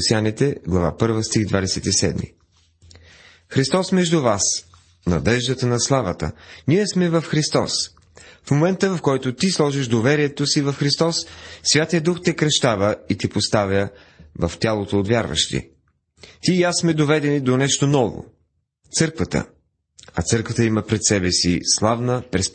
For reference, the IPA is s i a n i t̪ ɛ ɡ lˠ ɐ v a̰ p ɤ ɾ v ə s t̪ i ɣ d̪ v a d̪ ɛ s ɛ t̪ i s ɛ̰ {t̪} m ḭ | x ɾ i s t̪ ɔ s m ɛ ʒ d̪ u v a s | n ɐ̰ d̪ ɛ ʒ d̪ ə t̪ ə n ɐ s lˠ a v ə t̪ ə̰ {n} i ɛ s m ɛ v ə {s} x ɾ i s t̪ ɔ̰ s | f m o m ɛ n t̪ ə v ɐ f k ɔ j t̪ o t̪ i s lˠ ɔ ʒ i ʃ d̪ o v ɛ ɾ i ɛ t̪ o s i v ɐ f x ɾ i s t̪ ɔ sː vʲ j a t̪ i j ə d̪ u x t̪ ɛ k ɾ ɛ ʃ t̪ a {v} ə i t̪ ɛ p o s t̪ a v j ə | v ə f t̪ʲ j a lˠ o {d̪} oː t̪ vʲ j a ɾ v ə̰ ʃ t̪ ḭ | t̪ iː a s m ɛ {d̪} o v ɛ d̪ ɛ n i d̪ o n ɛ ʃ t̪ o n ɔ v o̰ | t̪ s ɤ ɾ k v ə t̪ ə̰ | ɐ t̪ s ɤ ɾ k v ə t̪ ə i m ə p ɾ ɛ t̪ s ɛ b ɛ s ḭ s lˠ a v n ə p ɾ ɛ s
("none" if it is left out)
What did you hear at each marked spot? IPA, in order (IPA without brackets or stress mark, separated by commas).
d̪, n, f, v, t̪, d̪